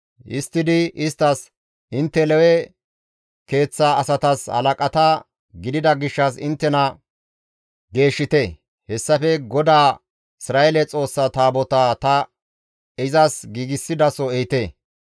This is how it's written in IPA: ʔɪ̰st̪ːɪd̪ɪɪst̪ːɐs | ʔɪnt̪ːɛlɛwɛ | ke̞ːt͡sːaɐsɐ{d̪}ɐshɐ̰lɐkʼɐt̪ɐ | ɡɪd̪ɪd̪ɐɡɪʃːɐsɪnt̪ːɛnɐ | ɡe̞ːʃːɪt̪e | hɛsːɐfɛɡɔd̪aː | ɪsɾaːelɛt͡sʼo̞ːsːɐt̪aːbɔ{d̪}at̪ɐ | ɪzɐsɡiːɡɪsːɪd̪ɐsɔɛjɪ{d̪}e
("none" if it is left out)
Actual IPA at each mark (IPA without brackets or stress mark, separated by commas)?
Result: t̪, t̪, t̪